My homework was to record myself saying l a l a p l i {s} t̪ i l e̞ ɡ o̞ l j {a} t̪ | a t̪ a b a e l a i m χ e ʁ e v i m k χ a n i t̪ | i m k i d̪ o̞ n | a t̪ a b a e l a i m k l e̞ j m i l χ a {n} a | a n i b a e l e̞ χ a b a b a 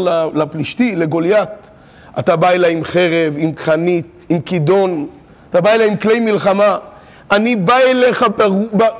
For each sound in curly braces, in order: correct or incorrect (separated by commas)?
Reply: incorrect, correct, incorrect